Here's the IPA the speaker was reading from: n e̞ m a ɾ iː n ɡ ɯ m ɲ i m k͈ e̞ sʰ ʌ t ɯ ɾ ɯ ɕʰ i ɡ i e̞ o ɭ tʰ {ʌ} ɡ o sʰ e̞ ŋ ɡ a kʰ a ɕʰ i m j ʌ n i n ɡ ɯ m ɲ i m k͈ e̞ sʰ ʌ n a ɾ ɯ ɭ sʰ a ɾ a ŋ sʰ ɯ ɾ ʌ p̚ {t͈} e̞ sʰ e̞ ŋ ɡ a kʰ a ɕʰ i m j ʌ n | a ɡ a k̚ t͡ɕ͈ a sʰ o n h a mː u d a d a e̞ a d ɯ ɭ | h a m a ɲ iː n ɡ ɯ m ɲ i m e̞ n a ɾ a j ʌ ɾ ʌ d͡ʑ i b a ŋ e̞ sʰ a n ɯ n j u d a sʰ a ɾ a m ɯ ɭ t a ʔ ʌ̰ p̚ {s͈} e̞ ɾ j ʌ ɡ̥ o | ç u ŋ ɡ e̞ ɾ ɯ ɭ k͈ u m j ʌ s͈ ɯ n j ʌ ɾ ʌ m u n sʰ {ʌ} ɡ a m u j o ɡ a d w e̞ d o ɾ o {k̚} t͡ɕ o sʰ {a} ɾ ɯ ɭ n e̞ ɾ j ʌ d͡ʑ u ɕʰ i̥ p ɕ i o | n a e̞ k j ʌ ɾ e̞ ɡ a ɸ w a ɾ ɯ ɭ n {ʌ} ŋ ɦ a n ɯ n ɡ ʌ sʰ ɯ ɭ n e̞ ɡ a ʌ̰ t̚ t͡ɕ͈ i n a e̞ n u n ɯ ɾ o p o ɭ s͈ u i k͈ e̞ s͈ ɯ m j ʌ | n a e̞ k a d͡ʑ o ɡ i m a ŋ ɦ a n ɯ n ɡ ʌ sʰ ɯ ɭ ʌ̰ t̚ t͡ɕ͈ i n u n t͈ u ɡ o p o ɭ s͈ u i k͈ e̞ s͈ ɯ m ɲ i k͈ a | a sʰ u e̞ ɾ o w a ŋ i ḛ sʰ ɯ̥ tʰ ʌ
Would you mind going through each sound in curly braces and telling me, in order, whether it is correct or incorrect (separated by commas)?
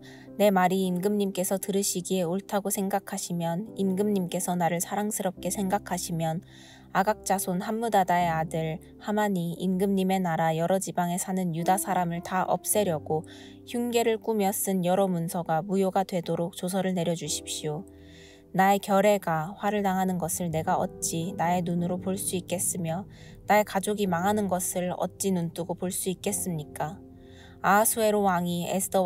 incorrect, incorrect, correct, correct, correct, incorrect, incorrect